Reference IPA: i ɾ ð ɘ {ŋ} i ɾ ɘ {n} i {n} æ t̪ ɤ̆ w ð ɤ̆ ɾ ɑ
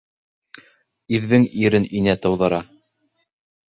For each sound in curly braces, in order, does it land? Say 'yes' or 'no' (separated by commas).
yes, yes, yes